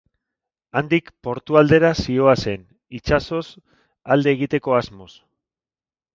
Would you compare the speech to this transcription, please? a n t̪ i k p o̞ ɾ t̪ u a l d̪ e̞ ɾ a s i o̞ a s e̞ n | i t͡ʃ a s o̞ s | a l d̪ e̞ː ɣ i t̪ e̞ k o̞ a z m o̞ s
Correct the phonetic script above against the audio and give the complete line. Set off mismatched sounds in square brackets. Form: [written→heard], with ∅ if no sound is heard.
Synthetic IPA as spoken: a n [t̪→d̪] i k p o̞ ɾ t̪ u a l d̪ e̞ ɾ a s i o̞ a s e̞ n | i t͡ʃ a s o̞ s | a l d̪ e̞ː ɣ i t̪ e̞ k o̞ a z m o̞ s